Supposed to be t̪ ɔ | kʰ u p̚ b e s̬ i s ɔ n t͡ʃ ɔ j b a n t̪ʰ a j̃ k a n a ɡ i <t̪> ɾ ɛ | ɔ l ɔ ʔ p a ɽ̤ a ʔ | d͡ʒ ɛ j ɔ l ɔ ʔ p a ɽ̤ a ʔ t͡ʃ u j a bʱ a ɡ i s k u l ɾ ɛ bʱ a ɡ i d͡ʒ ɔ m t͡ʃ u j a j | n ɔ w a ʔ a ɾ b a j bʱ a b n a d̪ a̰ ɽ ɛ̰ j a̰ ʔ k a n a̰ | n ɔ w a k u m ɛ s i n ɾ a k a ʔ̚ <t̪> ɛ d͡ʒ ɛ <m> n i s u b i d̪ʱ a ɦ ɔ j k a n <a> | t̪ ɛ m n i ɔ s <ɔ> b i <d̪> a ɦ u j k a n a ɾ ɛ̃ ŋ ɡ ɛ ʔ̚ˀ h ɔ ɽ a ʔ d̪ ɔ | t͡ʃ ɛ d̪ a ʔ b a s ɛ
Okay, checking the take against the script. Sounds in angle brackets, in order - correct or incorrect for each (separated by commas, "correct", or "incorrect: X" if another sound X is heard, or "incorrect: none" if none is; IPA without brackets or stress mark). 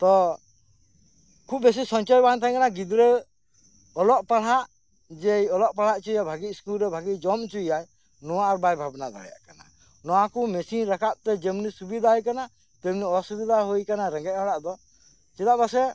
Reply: incorrect: d̪, correct, correct, correct, incorrect: u, correct